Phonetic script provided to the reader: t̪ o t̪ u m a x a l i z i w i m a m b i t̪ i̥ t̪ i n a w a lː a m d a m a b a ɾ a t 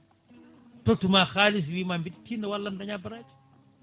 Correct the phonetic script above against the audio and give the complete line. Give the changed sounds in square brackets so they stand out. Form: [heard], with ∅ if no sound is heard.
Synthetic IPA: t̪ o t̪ u m a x a l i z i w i m a m b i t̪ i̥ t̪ i n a w a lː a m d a [ɲ] a b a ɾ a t